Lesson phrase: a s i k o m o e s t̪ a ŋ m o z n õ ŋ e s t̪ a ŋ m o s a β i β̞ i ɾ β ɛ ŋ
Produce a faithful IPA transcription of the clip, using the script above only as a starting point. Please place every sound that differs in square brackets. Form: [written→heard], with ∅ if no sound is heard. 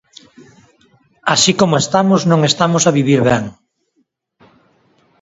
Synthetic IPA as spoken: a s i k o m o e s t̪ a [ŋ→∅] m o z n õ ŋ e s t̪ a [ŋ→∅] m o s a β i β̞ i ɾ β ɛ ŋ